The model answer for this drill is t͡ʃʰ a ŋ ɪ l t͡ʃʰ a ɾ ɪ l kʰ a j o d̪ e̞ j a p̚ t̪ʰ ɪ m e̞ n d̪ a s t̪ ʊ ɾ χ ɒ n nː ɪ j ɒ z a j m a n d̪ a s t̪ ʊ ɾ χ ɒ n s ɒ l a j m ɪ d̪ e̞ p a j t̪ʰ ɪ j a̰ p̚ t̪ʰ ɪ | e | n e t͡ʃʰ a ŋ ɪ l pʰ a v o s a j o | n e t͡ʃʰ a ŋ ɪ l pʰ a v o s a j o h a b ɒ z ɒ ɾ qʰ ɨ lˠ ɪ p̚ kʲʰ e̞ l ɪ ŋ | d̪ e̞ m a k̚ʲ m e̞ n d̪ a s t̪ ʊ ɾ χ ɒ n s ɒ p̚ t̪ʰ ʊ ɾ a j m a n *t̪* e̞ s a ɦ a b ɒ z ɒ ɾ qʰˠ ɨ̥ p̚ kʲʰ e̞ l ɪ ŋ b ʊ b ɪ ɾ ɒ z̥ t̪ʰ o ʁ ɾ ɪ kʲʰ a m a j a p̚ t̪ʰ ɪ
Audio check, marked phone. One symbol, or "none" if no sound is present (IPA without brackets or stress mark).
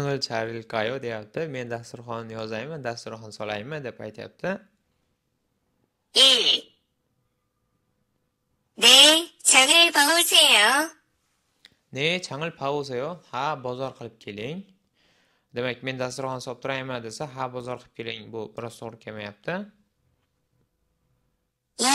d̪